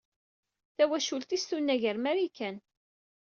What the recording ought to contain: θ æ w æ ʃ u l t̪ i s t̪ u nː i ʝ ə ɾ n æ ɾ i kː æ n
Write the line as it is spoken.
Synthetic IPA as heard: θ æ w æ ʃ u l t̪ i s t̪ u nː æ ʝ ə ɾ m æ ɾ i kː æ n